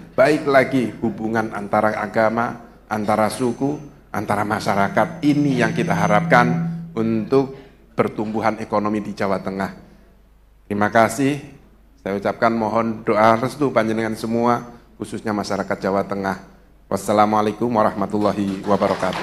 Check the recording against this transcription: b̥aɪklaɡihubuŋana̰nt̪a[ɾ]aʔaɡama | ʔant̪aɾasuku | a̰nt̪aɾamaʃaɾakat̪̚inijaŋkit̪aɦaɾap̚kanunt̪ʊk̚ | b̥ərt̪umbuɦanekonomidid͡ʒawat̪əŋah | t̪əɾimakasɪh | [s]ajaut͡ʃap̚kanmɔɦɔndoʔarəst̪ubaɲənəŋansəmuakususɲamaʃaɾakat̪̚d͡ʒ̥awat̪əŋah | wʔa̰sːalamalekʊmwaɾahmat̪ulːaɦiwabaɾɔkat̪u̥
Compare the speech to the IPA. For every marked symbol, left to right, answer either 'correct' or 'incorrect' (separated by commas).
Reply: correct, correct